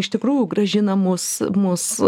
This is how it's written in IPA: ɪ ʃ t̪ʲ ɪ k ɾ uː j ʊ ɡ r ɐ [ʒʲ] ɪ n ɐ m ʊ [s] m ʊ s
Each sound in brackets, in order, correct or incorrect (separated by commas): correct, correct